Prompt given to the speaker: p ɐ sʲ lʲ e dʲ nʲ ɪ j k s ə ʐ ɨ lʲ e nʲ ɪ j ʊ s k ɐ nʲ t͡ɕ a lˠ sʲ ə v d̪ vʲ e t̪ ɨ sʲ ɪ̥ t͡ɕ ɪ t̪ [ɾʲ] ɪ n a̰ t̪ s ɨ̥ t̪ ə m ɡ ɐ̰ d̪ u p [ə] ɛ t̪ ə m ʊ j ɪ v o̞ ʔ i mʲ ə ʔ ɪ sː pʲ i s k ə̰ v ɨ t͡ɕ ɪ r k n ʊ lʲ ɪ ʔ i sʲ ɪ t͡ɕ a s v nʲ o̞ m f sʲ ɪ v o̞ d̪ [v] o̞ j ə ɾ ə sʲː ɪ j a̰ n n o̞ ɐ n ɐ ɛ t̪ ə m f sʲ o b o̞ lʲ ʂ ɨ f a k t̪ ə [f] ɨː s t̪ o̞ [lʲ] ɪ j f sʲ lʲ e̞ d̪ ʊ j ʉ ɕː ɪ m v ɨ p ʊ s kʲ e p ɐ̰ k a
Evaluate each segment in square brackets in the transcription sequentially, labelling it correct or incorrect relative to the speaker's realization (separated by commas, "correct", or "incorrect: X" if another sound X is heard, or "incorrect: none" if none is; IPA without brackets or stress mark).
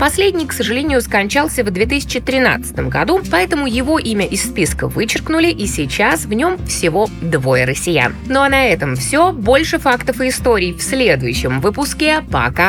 correct, incorrect: ɐ, correct, correct, incorrect: ɾʲ